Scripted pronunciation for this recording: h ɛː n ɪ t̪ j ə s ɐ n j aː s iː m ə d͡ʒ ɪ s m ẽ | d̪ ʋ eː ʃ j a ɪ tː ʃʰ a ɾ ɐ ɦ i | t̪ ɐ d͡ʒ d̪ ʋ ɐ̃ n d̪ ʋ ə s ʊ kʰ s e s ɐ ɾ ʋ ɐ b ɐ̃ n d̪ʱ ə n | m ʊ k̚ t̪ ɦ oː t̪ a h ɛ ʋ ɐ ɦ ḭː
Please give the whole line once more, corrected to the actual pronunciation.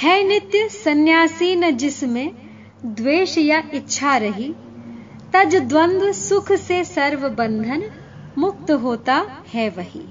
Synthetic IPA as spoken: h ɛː n ɪ t̪ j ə s ɐ n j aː s iː n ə d͡ʒ ɪ s m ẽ | d̪ ʋ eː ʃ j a ɪ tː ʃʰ a ɾ ɐ ɦ i | t̪ ɐ d͡ʒ d̪ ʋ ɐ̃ n d̪ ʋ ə s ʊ kʰ s e s ɐ ɾ ʋ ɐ b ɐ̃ n d̪ʱ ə n | m ʊ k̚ t̪ ɦ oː t̪ a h ɛ ʋ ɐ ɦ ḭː